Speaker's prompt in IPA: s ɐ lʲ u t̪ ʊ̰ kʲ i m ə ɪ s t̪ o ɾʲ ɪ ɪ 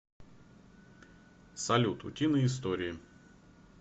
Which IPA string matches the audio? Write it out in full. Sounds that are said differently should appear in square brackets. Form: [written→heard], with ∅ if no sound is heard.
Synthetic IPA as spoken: s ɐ lʲ u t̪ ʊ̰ [kʲ→tʲ] i [m→n] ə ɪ s t̪ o ɾʲ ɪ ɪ